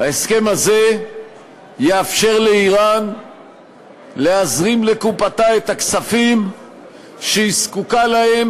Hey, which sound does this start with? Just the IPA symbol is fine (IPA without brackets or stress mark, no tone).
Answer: a